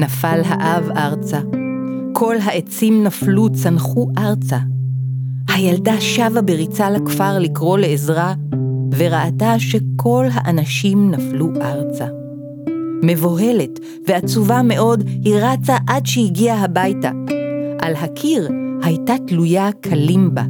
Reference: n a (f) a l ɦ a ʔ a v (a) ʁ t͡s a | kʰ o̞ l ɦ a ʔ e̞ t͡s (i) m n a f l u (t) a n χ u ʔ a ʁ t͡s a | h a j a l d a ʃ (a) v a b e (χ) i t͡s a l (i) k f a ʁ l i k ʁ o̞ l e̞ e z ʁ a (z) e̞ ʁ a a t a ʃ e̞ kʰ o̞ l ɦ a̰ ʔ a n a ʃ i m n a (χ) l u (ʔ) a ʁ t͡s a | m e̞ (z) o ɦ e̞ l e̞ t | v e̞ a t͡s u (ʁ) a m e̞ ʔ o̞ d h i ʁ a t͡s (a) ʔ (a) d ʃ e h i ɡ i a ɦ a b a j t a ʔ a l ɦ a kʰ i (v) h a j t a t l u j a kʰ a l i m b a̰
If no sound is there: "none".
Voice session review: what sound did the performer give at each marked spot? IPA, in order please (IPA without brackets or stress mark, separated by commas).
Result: f, a, i, t͡s, a, ʁ, a, v, f, ʔ, v, v, a, a, ʁ